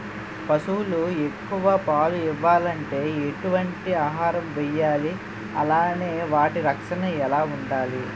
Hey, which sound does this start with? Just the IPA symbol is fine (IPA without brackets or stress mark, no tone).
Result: p